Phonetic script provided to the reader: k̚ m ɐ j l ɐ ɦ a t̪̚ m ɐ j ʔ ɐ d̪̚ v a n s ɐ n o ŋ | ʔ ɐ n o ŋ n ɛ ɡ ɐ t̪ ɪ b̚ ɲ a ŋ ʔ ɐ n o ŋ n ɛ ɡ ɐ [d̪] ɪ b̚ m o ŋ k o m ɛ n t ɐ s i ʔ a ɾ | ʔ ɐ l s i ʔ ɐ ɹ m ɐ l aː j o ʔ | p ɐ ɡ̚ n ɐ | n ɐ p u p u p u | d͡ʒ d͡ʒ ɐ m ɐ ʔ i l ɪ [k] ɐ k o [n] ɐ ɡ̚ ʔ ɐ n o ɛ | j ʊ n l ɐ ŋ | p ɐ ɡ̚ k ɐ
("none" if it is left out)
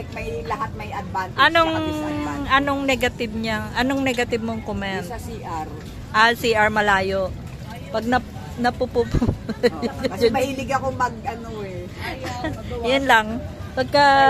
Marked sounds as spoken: t̪, ɡ, m

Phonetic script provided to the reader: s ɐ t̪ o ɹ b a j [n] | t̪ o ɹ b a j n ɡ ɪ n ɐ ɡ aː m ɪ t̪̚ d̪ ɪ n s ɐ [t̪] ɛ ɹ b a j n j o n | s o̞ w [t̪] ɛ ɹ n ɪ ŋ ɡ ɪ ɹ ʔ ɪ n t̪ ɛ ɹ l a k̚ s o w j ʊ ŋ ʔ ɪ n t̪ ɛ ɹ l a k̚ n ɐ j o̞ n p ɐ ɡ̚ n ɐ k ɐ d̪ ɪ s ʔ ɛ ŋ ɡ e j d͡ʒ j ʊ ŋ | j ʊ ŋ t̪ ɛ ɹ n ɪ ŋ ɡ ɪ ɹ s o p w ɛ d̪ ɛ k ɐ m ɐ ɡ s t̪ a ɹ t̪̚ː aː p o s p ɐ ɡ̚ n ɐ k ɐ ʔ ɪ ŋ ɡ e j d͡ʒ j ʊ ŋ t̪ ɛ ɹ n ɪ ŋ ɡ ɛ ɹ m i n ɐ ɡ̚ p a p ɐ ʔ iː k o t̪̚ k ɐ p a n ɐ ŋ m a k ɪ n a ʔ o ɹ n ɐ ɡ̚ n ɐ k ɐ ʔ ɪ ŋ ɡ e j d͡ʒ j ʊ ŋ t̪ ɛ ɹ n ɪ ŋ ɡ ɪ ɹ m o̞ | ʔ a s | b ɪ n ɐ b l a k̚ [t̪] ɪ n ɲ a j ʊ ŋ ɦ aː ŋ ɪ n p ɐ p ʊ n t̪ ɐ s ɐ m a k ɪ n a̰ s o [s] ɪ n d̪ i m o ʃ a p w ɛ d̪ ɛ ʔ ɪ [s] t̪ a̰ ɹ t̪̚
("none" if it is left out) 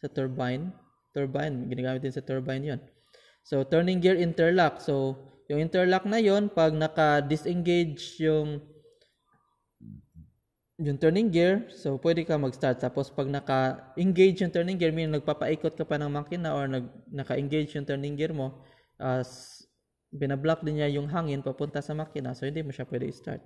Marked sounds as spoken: n, t̪, t̪, d̪, h, s

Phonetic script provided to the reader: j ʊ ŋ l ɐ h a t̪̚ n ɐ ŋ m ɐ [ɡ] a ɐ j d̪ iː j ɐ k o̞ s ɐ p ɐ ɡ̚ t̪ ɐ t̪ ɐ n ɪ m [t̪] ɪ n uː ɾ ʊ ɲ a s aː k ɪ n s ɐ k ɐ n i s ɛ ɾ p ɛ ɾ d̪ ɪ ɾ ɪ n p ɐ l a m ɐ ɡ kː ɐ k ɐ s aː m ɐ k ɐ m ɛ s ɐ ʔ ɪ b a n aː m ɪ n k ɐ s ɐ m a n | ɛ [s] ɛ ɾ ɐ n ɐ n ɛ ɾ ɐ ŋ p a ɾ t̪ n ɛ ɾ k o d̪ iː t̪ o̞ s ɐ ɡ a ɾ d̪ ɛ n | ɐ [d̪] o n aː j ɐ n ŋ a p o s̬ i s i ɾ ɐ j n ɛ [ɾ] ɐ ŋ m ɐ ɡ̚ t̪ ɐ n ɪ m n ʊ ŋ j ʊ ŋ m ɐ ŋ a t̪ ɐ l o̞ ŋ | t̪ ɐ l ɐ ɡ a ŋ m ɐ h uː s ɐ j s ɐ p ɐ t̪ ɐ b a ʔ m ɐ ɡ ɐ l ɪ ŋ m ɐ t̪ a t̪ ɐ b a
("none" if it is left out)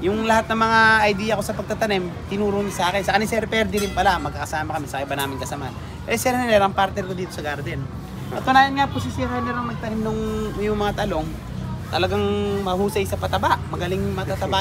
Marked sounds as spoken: ŋ, t̪, s, t̪, ɾ

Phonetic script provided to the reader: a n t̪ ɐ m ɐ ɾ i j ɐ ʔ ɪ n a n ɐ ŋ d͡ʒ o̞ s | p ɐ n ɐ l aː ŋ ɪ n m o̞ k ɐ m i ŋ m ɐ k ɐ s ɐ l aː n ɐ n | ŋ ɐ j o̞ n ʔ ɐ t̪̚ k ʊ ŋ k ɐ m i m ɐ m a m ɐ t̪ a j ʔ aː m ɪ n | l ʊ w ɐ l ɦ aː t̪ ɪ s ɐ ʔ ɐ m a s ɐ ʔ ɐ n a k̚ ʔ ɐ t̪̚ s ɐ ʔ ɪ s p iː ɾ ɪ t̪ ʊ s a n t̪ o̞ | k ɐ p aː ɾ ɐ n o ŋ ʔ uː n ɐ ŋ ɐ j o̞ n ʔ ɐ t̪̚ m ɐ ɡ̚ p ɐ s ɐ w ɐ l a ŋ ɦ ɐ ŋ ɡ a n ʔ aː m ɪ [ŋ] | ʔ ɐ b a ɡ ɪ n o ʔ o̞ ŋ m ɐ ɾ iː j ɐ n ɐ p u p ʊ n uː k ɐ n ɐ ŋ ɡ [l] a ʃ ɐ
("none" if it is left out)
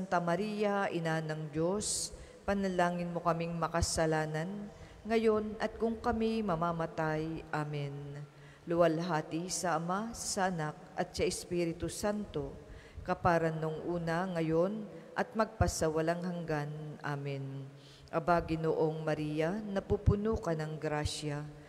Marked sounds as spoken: n, ɾ

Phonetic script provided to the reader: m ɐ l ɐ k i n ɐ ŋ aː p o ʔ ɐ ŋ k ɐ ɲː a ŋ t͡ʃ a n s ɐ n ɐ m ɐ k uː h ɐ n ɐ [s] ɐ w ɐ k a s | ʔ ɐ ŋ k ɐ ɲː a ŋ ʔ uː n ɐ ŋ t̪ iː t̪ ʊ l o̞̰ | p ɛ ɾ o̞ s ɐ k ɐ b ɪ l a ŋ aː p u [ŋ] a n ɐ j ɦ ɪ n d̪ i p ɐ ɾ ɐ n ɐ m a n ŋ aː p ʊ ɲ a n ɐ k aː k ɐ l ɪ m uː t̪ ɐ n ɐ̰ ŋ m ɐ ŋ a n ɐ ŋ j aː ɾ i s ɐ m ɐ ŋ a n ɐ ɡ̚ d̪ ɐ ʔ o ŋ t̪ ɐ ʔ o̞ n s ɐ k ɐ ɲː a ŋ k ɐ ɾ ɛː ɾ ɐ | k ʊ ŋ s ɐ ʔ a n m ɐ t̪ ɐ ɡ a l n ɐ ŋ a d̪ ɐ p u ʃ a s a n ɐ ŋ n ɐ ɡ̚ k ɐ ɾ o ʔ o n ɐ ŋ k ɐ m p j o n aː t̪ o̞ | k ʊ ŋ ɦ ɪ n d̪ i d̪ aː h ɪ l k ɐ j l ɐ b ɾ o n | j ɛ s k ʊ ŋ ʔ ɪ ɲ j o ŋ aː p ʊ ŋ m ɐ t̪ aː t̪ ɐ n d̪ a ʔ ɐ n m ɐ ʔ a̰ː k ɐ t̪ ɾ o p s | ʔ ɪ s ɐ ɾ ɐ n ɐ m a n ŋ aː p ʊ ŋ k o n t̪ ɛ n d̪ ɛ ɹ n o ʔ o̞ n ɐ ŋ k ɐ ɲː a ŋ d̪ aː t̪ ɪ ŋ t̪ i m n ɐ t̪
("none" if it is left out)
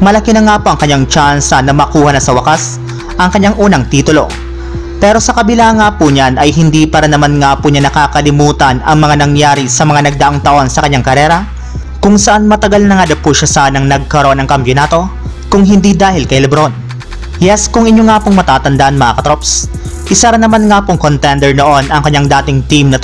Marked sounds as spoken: s, ɲ

